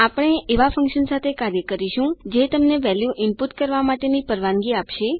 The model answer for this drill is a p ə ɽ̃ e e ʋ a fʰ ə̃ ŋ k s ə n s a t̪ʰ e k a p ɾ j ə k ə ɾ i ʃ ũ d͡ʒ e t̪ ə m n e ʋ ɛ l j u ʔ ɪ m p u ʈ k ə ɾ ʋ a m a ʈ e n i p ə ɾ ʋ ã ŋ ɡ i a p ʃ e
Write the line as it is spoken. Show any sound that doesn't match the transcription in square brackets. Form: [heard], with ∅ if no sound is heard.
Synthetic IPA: a p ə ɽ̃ e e ʋ a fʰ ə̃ ŋ k [ʃ] ə n s a t̪ʰ e k a [∅] ɾ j ə k ə ɾ i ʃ ũ d͡ʒ e t̪ ə m n e ʋ ɛ l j u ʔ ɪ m p u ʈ k ə ɾ ʋ a m a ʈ e n i p ə ɾ ʋ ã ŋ ɡ i a p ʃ e